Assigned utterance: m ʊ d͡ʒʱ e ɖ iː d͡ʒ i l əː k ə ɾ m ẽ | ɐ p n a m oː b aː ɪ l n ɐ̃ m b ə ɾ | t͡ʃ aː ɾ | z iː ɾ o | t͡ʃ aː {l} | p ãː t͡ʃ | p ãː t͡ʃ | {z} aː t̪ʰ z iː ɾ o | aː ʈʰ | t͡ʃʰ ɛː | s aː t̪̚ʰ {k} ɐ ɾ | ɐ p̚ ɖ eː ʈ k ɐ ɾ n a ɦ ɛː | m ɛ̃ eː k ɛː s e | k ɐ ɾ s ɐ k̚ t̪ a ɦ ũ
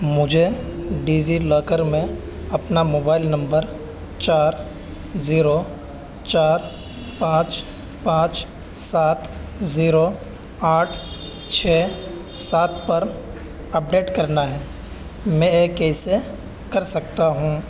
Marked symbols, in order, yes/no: no, no, no

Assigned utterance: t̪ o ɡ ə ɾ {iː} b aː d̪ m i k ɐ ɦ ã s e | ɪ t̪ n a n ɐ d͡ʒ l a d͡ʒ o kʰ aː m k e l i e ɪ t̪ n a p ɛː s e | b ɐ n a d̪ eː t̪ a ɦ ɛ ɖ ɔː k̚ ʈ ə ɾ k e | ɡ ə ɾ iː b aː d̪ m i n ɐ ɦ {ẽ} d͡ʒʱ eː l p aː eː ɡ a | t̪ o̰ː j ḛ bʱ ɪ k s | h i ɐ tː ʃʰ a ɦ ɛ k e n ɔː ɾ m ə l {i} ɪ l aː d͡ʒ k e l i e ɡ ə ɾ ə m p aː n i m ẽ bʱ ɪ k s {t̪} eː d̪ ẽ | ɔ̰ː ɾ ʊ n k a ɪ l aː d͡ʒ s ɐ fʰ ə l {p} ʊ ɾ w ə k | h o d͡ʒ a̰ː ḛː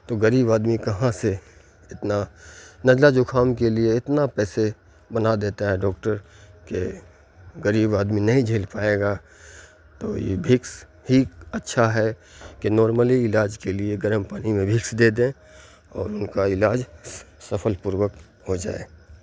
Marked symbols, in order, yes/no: yes, no, yes, no, yes

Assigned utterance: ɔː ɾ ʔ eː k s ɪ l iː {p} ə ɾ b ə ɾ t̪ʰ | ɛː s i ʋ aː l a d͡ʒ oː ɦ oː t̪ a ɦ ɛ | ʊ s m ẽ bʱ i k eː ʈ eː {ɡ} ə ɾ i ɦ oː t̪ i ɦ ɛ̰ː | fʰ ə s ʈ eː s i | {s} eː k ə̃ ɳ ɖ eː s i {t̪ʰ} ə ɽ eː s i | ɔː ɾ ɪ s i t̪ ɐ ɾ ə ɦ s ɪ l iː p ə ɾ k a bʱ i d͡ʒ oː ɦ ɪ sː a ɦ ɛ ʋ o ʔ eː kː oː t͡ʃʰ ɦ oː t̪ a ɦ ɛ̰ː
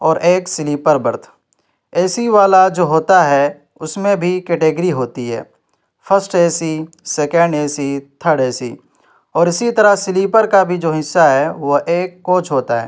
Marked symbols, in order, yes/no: yes, yes, yes, yes

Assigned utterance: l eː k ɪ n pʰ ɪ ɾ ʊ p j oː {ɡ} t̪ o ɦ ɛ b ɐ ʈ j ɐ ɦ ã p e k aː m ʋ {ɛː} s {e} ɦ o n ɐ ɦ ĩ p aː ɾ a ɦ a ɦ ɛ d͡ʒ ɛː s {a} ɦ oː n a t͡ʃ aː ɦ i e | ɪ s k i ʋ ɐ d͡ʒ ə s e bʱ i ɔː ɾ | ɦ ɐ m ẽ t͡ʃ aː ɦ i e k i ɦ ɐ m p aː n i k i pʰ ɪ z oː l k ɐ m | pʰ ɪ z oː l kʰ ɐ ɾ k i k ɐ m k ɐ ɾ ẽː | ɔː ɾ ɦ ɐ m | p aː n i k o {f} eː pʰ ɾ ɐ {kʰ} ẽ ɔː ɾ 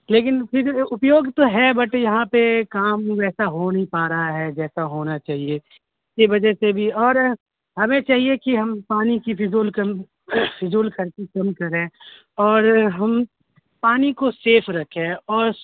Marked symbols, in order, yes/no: yes, yes, no, yes, no, yes

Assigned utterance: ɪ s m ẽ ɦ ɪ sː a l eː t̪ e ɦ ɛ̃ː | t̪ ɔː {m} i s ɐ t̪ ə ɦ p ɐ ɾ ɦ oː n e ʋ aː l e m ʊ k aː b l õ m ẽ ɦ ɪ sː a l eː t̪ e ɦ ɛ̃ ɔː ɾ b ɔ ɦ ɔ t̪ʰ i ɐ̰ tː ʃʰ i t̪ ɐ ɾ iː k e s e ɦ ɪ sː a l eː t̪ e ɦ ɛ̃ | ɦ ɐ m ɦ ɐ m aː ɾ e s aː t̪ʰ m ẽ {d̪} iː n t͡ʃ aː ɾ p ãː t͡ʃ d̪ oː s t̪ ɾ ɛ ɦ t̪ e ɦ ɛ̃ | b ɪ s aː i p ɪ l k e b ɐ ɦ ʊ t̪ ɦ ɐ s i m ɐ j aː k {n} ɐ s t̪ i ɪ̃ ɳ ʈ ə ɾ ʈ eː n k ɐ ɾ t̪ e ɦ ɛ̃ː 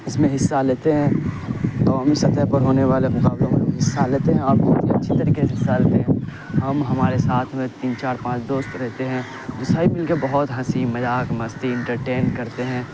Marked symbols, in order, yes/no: yes, no, no

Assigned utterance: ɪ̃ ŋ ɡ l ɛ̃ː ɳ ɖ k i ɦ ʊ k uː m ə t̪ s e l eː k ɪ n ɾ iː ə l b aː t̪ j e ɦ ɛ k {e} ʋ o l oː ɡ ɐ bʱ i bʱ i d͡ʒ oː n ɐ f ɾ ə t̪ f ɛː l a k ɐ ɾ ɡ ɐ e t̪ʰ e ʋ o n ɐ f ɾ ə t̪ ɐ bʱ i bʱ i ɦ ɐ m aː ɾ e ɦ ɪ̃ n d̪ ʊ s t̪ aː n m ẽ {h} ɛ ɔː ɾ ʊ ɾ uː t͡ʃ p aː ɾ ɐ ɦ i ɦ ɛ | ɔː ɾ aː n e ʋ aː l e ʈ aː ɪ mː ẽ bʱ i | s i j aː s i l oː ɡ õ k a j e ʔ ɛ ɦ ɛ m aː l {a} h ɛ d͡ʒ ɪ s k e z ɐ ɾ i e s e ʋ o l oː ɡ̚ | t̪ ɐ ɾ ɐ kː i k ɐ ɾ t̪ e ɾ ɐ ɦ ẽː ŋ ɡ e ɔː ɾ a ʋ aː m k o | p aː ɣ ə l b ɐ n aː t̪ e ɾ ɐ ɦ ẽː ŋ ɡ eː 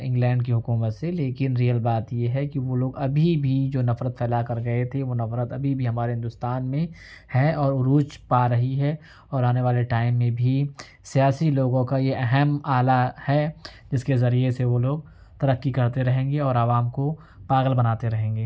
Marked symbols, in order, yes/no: no, yes, yes

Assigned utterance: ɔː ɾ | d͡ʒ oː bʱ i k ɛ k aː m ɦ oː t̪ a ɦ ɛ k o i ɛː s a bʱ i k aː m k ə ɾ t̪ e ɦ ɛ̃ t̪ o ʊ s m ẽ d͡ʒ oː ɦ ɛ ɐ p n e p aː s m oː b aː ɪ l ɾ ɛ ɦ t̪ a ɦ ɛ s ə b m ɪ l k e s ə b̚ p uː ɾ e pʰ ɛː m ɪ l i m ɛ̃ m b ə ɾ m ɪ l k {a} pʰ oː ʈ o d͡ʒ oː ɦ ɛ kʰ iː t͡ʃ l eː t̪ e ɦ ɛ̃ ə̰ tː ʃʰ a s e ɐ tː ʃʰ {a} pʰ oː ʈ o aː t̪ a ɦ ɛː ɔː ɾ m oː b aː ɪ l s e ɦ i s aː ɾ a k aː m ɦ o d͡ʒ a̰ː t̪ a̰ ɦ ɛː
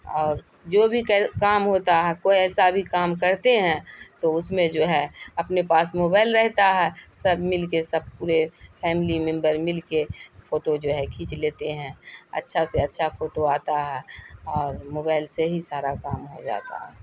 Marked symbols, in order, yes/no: no, yes

